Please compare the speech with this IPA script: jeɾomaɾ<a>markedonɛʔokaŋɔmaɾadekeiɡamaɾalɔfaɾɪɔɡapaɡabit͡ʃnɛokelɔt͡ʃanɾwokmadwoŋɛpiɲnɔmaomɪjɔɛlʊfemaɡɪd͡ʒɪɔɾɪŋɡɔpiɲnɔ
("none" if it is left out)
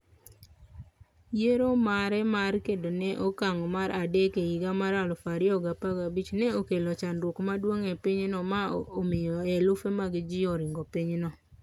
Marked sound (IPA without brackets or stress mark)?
ɛ